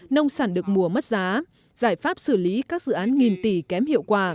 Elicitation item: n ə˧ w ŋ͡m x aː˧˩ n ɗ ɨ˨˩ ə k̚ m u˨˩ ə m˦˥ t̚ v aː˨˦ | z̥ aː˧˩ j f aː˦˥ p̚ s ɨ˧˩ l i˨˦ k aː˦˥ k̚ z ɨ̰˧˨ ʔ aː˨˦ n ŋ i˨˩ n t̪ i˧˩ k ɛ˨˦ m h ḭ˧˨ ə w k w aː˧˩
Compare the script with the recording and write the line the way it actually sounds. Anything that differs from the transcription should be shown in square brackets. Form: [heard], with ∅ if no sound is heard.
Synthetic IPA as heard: n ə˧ w ŋ͡m [s] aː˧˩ n ɗ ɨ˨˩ ə k̚ m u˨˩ ə m˦˥ t̚ [z] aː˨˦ | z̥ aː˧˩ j f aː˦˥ p̚ s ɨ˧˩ l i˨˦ k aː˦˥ k̚ z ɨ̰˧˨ ʔ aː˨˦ n ŋ i˨˩ n t̪ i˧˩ k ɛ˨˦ m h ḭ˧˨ ə w k w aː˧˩